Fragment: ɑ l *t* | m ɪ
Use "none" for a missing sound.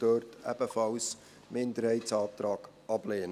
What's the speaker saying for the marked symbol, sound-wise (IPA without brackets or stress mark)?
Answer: s